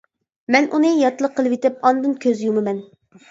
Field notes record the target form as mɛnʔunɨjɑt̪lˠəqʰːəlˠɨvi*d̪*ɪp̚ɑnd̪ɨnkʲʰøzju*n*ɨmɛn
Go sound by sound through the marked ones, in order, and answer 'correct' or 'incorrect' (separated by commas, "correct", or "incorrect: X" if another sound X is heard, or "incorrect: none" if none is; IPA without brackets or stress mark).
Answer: incorrect: t̪, incorrect: m